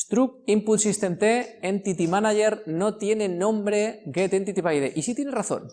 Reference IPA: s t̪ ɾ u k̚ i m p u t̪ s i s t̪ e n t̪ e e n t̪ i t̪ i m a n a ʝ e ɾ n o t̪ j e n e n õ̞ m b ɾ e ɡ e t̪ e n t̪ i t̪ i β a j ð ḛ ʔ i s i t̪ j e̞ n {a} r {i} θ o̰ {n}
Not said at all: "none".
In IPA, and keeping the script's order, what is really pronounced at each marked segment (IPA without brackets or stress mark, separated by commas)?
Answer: e, a, n